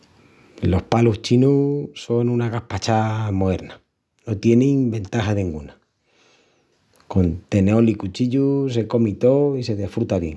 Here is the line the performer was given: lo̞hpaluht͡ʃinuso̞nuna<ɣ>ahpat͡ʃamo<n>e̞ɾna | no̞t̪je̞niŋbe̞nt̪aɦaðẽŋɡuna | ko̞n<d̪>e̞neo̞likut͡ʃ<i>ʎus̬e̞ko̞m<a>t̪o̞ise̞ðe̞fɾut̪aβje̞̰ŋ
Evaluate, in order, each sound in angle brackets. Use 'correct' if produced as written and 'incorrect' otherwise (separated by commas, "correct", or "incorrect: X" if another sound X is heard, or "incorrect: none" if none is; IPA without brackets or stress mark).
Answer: correct, incorrect: none, incorrect: t̪, correct, incorrect: i